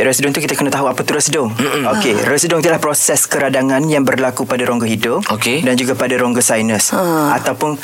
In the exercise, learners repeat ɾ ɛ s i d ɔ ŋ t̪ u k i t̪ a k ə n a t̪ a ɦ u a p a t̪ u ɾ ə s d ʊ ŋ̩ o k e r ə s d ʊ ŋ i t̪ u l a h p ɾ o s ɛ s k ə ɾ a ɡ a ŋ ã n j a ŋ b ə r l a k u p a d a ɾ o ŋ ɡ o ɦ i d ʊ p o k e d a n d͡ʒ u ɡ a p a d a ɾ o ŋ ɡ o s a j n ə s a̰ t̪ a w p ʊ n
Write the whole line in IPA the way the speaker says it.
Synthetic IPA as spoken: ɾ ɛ s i d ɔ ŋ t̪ u k i t̪ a k ə n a t̪ a ɦ u a p a t̪ u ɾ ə s d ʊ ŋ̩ o k e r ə s d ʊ ŋ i t̪ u l a h p ɾ o s ɛ s k ə ɾ a d a ŋ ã n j a ŋ b ə r l a k u p a d a ɾ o ŋ ɡ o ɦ i d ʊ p o k e d a n d͡ʒ u ɡ a p a d a ɾ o ŋ ɡ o s a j n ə s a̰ t̪ a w p ʊ n